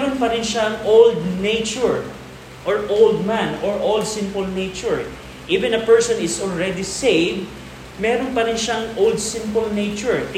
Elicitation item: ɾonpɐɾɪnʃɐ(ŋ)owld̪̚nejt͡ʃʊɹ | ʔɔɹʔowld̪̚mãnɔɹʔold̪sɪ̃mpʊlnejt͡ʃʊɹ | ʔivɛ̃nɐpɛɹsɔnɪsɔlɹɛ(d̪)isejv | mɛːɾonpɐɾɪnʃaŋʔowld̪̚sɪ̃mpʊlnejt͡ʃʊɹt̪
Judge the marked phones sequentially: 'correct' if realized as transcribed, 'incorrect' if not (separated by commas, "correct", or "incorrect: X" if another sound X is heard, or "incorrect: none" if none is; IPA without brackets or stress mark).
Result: correct, correct